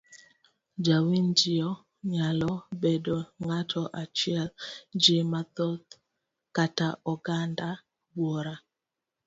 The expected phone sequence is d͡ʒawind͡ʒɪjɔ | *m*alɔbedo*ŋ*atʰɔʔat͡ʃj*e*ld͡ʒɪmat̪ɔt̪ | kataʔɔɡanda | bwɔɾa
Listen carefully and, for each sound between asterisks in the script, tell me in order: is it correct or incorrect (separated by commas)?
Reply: incorrect, correct, incorrect